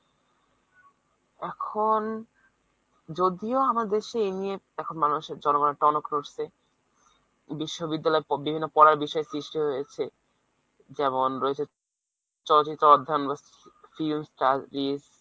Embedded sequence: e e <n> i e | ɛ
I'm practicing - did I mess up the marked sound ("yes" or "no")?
no